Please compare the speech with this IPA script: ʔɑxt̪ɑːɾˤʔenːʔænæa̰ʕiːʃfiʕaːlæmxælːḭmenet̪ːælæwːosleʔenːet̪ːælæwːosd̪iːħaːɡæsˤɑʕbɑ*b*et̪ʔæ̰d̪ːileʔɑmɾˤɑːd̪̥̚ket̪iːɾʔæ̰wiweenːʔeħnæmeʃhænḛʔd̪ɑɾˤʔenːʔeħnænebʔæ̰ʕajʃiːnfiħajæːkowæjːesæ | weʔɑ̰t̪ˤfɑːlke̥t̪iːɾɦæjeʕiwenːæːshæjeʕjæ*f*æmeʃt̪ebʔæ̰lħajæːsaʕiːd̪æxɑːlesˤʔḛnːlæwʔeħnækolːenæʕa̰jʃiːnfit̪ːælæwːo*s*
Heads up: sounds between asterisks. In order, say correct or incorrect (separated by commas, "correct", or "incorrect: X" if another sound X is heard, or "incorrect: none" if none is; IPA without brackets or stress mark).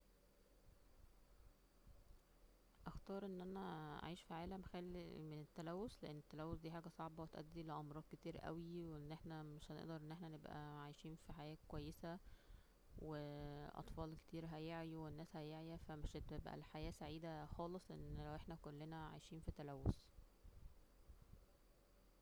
incorrect: w, correct, correct